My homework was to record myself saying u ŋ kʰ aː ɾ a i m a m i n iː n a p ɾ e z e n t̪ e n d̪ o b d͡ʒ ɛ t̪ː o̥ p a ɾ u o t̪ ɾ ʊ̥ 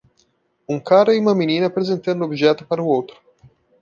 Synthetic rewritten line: u ŋ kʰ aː ɾ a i m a m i n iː n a p ɾ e z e n t̪ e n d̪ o b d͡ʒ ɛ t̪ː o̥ p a ɾ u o t̪ ɾ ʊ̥